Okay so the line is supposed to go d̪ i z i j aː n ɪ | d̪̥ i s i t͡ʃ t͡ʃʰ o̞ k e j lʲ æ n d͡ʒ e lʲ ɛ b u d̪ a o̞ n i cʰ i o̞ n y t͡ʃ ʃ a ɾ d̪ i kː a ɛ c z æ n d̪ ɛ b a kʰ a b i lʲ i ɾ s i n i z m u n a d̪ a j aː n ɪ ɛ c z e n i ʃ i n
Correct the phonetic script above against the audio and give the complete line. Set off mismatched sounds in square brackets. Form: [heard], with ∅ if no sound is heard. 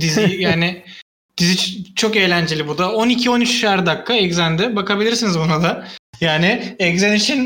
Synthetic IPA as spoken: d̪ i z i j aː n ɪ | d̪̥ i [z] i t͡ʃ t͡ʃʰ o̞ k e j lʲ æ n d͡ʒ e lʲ [i] b u d̪ a o̞ n i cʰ i o̞ n y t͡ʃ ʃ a ɾ d̪ [a] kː a ɛ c z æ n d̪ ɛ b a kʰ a b i lʲ i ɾ s i n i z [b] u n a d̪ a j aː n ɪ ɛ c z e n i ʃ i n